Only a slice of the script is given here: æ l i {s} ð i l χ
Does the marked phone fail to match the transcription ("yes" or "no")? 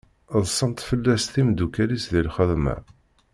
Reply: no